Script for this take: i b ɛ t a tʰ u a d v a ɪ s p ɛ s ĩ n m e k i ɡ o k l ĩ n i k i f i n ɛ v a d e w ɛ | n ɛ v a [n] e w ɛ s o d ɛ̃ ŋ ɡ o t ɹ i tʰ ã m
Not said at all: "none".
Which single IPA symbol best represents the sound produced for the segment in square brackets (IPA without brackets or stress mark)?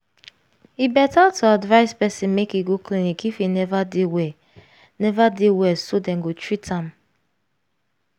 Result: d